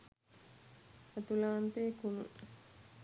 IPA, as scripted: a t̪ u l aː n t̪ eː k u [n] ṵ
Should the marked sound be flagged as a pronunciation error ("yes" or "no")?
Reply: no